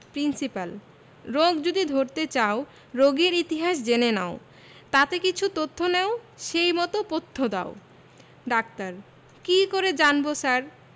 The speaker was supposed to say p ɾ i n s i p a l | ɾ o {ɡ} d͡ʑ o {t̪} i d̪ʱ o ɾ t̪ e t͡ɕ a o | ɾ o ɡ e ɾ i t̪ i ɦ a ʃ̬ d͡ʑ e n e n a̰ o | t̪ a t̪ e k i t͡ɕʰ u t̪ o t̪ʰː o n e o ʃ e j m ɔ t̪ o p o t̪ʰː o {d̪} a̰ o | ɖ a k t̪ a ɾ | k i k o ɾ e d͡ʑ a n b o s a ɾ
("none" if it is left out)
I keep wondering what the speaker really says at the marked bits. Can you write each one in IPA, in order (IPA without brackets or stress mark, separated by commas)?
ɡ, d̪, d̪